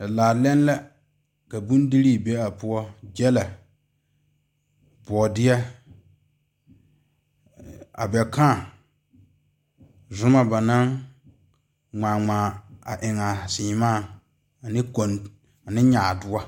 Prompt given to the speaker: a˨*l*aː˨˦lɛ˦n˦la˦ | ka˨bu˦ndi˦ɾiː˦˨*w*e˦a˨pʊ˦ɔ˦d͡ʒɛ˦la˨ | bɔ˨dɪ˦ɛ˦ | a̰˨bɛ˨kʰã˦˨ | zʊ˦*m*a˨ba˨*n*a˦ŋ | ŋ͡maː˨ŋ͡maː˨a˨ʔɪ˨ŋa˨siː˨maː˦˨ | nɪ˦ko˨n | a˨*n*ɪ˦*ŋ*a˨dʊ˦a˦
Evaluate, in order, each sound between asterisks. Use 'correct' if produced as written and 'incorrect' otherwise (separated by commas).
correct, incorrect, correct, correct, correct, incorrect